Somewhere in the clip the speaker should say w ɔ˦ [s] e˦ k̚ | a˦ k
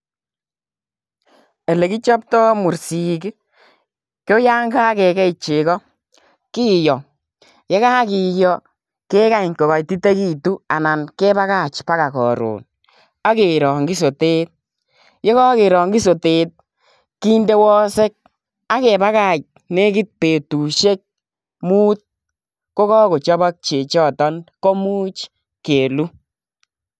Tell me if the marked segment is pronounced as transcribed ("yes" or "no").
yes